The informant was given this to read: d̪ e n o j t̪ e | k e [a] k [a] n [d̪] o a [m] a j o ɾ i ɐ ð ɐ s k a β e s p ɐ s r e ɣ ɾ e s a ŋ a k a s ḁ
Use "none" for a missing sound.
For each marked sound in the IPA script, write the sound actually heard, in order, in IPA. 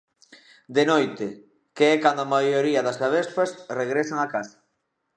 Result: ɛ, a, d̪, m

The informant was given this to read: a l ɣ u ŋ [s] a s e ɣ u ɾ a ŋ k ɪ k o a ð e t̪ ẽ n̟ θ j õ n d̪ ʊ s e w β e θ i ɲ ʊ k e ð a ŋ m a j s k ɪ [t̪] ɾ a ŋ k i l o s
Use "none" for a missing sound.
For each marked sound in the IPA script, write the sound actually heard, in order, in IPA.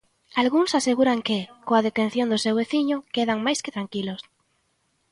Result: s, t̪

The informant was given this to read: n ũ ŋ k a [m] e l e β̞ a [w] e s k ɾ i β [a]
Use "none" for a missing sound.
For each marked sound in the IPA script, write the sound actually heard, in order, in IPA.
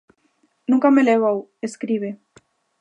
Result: m, w, e

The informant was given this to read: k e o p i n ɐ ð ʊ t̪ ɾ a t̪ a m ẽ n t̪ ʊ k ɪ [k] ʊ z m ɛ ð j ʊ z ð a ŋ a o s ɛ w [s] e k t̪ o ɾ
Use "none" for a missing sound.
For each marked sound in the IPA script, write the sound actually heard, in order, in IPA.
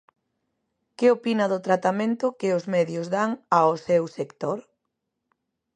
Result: none, s

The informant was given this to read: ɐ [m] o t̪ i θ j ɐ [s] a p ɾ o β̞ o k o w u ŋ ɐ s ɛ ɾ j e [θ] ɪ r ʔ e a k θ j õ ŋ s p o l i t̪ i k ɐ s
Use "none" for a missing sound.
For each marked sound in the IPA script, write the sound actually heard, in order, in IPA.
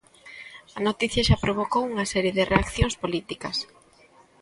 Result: n, ʃ, ð

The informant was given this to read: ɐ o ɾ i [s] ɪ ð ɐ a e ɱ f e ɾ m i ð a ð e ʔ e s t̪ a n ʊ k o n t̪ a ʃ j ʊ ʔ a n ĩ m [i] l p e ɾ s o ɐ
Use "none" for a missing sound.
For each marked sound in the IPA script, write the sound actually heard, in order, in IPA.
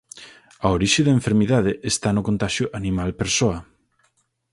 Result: ʃ, a

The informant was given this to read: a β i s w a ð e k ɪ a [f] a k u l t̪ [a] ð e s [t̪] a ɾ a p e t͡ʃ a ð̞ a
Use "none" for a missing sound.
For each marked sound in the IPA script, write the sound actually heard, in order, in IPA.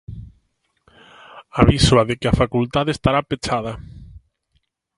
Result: f, a, t̪

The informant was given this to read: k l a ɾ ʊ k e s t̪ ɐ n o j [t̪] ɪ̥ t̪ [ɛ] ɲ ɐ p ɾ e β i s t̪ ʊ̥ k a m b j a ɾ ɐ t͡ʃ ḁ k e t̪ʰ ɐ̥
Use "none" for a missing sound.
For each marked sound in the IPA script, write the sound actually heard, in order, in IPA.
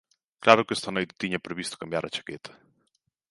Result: t̪, i

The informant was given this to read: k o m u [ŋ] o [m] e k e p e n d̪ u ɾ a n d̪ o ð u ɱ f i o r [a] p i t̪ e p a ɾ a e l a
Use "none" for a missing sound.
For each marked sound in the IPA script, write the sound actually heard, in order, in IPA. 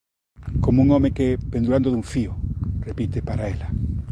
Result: ŋ, m, e

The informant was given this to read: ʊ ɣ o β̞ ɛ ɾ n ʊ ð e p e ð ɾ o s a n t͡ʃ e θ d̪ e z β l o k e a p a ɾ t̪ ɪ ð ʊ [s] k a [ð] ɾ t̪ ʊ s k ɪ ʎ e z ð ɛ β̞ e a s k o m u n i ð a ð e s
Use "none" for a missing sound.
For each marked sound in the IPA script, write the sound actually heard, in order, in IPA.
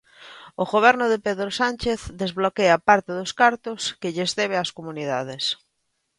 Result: s, none

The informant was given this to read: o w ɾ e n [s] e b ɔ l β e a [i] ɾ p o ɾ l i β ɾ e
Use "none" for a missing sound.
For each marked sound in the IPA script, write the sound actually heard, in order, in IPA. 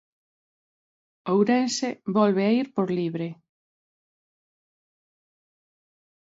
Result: s, i

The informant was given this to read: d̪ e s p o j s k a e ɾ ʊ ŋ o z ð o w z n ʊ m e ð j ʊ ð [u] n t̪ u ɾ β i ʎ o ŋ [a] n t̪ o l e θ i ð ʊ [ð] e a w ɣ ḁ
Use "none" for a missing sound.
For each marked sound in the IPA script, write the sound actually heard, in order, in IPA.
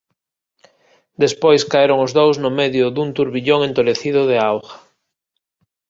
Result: u, e, ð

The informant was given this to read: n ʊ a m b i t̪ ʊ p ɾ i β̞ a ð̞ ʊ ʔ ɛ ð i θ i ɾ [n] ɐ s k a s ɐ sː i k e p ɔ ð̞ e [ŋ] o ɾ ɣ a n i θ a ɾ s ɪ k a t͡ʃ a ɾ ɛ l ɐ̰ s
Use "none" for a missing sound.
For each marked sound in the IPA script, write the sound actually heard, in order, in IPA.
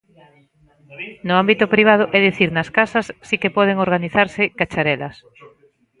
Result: n, ŋ

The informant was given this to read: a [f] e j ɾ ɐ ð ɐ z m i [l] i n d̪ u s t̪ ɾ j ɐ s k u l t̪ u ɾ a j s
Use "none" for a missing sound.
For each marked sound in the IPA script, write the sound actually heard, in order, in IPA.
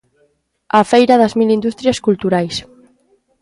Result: f, l

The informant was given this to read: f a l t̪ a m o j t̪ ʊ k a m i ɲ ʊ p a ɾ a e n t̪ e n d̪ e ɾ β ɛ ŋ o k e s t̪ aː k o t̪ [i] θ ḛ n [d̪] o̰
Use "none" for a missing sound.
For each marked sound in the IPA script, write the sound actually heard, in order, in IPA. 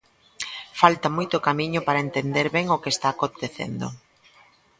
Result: e, d̪

